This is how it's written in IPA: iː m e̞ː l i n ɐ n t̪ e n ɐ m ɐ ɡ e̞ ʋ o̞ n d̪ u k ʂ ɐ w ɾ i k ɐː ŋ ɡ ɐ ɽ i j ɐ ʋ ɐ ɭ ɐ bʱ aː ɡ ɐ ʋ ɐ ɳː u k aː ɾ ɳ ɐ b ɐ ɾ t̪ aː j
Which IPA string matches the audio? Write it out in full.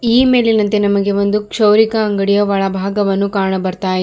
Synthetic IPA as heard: iː m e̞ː l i n ɐ n t̪ e n ɐ m ɐ ɡ e̞ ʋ o̞ n d̪ u k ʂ ɐ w ɾ i k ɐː ŋ ɡ ɐ ɽ i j ɐ ʋ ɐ ɭ ɐ bʱ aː ɡ ɐ ʋ ɐ nː u k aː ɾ ɳ ɐ b ɐ ɾ t̪ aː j